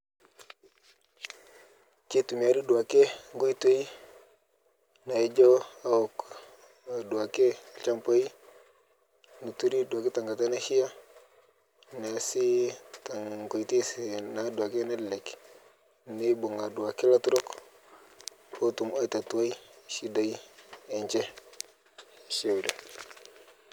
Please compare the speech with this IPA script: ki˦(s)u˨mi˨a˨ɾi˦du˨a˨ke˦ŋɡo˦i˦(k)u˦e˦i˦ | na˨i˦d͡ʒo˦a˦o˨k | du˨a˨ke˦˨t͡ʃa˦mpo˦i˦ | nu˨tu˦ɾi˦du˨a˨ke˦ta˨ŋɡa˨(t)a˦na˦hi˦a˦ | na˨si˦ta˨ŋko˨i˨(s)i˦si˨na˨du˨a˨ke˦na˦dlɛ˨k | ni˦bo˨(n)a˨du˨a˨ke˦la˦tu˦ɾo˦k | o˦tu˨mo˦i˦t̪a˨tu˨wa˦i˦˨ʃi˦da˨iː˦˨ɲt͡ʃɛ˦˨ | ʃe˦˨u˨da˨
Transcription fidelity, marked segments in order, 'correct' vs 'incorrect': incorrect, incorrect, correct, incorrect, incorrect

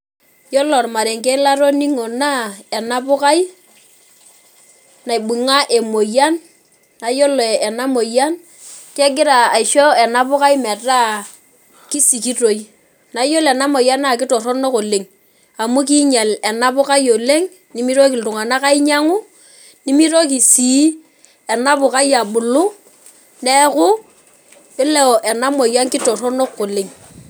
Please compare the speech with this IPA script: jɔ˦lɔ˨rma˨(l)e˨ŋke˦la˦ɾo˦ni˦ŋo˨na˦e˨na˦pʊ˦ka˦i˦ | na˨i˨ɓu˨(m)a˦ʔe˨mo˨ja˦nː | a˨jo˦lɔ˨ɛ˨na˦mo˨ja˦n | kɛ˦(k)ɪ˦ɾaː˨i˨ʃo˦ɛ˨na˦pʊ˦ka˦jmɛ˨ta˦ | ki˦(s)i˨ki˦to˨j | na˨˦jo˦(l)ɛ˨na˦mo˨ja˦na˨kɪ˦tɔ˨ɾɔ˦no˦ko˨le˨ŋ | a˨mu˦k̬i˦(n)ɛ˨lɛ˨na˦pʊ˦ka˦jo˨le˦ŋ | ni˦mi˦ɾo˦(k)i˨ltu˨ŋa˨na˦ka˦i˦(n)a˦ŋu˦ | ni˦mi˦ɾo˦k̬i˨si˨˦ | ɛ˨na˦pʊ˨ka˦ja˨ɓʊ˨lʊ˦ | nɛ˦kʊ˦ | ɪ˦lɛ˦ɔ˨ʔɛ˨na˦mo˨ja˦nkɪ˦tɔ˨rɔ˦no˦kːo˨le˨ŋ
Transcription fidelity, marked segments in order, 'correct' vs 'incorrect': incorrect, incorrect, incorrect, correct, correct, incorrect, correct, incorrect

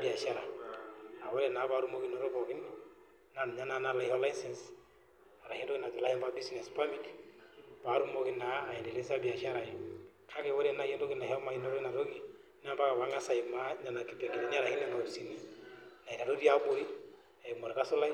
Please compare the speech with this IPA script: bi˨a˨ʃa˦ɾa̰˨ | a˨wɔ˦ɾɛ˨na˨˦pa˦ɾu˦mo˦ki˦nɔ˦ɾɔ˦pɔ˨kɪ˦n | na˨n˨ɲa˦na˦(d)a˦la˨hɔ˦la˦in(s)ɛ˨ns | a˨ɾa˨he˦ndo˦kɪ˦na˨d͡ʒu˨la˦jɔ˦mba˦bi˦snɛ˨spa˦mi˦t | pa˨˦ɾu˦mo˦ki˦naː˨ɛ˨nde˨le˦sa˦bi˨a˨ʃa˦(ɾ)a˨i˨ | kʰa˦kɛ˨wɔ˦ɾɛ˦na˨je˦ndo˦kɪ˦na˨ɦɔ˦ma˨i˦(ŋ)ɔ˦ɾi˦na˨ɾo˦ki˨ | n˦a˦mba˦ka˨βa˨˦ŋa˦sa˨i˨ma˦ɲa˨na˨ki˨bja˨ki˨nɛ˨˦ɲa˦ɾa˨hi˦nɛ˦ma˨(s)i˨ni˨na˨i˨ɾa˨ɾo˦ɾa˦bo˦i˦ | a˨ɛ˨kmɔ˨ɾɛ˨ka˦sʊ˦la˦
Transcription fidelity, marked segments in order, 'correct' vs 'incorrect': incorrect, correct, correct, incorrect, correct

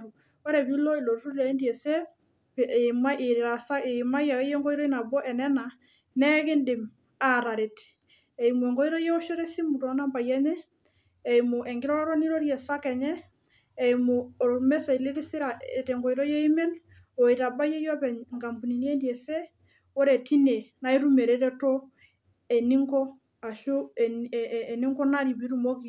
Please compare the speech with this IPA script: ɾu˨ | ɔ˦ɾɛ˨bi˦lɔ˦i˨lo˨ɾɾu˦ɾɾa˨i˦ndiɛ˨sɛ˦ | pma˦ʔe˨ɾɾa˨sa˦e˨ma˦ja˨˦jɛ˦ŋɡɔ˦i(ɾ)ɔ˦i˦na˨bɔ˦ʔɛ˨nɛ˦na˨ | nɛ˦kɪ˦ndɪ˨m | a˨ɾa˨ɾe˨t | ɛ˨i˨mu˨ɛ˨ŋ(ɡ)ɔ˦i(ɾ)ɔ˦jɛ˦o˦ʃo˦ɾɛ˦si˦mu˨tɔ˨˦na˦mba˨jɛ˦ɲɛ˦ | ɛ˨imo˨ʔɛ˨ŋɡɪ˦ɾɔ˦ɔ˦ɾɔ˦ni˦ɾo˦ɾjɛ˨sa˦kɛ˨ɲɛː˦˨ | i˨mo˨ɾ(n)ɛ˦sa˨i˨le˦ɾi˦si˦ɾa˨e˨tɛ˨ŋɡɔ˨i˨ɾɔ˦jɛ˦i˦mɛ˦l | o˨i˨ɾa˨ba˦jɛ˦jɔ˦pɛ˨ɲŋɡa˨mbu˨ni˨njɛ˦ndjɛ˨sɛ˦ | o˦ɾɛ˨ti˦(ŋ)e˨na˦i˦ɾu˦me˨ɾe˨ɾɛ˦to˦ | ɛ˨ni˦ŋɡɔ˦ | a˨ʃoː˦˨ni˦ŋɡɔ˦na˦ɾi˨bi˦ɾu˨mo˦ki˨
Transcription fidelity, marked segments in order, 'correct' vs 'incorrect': correct, correct, correct, incorrect, incorrect

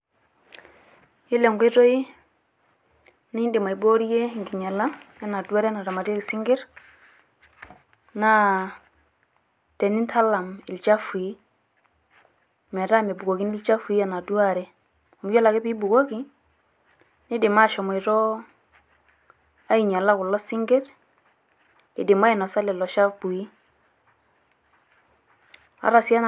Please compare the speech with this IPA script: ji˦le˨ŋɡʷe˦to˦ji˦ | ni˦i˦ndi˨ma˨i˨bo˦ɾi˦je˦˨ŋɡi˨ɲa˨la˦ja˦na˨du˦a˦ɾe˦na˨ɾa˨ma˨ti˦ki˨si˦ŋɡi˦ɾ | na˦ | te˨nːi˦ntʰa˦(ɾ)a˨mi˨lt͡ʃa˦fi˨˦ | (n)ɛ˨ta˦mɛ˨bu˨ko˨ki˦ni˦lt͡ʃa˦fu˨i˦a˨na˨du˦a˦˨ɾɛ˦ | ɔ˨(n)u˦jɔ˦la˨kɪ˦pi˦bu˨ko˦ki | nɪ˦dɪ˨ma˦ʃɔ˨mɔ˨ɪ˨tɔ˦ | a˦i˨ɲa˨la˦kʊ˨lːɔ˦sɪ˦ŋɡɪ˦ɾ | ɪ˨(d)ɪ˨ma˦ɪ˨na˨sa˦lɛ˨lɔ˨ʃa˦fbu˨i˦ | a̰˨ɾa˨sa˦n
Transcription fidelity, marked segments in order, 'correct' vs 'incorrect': incorrect, incorrect, incorrect, correct

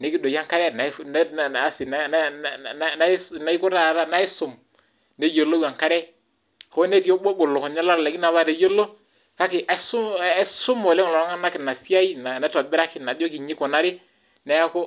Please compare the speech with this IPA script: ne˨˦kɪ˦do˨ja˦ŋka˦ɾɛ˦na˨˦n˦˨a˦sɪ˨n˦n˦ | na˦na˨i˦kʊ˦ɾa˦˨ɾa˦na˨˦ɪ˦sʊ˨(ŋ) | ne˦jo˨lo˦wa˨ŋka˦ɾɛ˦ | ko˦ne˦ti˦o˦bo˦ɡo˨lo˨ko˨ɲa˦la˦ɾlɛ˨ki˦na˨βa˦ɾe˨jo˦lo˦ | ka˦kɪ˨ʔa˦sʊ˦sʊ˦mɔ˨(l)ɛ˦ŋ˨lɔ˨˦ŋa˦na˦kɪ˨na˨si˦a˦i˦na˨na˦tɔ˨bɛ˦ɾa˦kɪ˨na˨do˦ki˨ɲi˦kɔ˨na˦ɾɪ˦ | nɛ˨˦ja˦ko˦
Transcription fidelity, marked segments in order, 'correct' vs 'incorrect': incorrect, correct

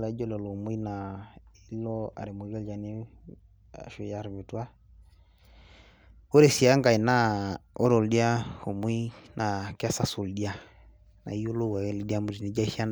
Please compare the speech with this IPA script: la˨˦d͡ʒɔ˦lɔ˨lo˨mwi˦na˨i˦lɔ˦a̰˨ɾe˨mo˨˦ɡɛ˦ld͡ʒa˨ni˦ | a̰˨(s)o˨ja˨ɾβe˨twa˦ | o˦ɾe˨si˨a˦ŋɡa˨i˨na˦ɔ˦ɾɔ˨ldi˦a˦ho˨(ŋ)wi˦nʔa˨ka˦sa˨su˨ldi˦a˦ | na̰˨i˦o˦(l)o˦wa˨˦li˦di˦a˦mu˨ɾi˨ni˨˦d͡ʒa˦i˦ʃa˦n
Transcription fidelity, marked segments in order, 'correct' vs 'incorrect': incorrect, incorrect, correct

